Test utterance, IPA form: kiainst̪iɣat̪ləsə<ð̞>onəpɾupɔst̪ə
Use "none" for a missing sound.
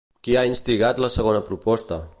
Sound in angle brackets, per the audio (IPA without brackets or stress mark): ɣ̞